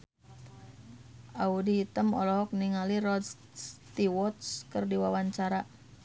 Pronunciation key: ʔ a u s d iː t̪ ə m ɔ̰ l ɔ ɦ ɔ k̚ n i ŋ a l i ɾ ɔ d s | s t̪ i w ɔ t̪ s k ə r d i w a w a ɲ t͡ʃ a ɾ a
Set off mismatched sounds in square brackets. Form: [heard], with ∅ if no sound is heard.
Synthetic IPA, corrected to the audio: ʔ a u [∅] d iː t̪ ə m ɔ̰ l ɔ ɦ ɔ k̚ n i ŋ a l i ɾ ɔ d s | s t̪ i w ɔ t̪ s k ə r d i w a w a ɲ t͡ʃ a ɾ a